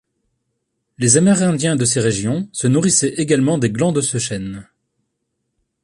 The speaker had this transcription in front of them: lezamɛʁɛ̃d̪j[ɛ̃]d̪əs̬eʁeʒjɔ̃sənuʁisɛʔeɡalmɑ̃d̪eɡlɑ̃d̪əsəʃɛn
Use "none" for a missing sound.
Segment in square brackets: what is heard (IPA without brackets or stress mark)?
ɛ̃